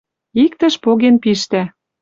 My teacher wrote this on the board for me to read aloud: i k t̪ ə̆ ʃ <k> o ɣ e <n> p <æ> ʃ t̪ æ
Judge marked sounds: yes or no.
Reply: no, yes, no

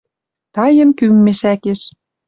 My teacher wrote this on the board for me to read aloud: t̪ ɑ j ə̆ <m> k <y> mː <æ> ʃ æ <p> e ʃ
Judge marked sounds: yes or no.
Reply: no, yes, no, no

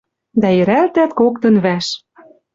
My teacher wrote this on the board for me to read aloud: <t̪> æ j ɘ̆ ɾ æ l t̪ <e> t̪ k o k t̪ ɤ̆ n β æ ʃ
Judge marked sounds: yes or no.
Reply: no, no

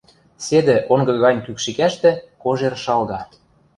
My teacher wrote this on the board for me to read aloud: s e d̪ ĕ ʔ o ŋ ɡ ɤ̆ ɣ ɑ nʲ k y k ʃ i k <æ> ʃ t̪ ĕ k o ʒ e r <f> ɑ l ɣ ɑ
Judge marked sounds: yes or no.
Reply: yes, no

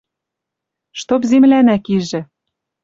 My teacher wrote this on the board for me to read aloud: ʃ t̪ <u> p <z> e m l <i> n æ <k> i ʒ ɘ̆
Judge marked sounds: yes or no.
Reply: no, yes, no, yes

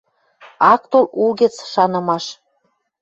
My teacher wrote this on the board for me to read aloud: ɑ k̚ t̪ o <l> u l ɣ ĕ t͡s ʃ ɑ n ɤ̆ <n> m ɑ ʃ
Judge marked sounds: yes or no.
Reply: yes, no

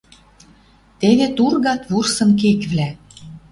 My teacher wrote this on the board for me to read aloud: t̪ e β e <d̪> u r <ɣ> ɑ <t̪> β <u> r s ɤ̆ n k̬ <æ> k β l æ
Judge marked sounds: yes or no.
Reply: no, yes, yes, yes, no

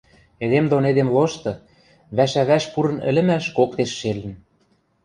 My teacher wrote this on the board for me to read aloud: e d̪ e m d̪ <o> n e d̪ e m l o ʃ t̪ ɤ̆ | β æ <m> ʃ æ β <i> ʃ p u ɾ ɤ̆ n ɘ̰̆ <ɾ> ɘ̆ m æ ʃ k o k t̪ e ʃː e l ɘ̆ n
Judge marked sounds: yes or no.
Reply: yes, no, no, no

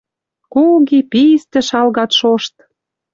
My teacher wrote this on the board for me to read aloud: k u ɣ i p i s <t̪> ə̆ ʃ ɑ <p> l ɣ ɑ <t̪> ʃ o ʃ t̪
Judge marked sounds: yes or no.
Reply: yes, no, yes

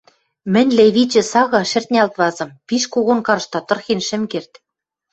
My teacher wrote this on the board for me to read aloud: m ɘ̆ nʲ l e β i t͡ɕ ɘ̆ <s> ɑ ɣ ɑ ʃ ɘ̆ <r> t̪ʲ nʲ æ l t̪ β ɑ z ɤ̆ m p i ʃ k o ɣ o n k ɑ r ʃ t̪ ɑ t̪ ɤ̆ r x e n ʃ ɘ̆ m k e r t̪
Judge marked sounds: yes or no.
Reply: yes, yes

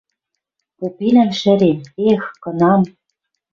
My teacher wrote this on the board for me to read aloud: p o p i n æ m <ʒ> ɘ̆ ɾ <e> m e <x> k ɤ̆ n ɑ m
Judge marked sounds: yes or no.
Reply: no, yes, yes

